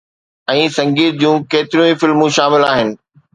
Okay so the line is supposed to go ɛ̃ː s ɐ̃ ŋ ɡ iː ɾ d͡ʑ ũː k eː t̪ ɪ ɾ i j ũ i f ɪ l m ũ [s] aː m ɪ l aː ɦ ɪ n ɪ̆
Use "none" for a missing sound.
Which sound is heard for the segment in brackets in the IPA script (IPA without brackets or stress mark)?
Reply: ʃ